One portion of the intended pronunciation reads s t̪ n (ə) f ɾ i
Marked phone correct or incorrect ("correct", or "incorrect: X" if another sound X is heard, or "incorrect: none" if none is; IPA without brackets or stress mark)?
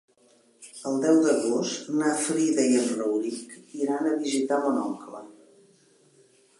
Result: incorrect: a